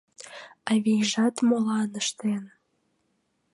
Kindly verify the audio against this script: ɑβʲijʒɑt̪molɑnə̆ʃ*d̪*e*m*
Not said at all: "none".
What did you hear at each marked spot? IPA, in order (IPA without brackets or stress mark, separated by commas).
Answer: t̪, n